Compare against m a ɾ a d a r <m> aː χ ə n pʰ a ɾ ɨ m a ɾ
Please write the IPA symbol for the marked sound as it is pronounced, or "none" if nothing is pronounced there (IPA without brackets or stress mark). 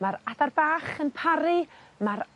b